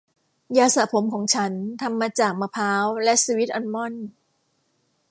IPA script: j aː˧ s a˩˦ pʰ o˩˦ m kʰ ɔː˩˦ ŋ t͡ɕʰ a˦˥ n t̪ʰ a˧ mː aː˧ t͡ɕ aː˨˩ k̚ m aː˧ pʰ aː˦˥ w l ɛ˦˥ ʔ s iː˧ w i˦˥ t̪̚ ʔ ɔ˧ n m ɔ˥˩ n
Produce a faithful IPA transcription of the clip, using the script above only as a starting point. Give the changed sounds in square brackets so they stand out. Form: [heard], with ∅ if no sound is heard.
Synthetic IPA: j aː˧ s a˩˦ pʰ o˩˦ m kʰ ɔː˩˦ ŋ t͡ɕʰ a˦˥ n t̪ʰ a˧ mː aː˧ t͡ɕ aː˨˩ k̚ m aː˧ pʰ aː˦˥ w l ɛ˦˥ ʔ s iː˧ w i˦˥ t̪̚ ʔ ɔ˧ n m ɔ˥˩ n